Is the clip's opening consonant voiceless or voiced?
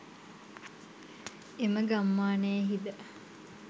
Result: voiced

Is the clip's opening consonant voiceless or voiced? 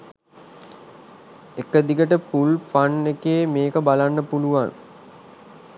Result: voiceless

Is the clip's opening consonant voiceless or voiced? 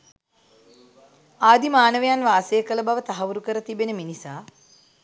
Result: voiced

